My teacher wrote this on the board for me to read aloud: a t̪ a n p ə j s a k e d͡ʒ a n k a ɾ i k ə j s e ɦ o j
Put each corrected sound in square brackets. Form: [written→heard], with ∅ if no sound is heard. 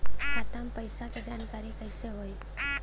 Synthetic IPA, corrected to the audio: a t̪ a [n→m] p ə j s a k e d͡ʒ a n k a ɾ i k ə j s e ɦ o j